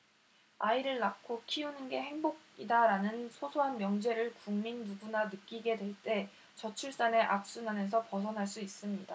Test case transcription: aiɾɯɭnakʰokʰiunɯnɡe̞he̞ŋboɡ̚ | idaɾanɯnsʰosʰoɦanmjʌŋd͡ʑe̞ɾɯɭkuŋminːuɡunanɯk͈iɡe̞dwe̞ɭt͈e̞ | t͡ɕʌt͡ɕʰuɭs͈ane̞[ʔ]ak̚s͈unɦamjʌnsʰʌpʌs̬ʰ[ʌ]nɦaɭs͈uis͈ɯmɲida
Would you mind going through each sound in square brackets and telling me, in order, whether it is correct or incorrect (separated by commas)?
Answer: correct, correct